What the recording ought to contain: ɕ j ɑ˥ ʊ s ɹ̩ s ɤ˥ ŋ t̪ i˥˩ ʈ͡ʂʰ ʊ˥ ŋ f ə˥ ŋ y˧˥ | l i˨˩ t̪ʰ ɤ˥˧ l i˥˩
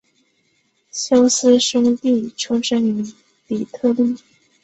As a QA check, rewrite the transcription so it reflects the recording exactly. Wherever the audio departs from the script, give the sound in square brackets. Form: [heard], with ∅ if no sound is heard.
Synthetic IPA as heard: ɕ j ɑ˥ ʊ s ɹ̩ [ʂ] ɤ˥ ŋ t̪ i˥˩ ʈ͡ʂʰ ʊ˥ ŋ [ʂ] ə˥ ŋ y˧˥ | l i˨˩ t̪ʰ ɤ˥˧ l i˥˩